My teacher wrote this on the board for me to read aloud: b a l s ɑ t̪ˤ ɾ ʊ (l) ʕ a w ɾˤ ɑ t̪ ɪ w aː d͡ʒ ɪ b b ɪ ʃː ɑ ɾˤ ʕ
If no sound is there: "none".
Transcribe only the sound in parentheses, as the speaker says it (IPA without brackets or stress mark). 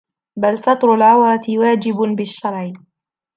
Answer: l